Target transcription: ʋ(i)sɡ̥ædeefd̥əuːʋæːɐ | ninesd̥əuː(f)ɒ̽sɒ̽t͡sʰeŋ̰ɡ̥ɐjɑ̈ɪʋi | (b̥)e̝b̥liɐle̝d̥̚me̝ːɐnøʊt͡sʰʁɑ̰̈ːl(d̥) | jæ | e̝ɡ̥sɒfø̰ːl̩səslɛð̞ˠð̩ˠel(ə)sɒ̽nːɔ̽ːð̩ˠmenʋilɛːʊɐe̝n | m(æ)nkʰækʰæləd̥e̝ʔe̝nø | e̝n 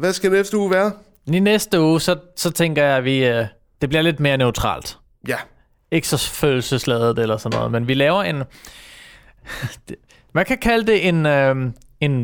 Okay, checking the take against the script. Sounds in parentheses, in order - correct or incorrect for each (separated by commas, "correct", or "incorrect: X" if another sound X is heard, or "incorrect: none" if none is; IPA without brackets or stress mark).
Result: incorrect: æ, incorrect: s, incorrect: d̥, correct, incorrect: ɐ, correct